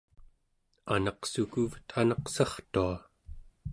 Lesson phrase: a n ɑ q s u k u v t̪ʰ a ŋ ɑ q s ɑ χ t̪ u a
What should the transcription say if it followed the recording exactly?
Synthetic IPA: a n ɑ q s u k u v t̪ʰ a n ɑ q s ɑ χ t̪ u a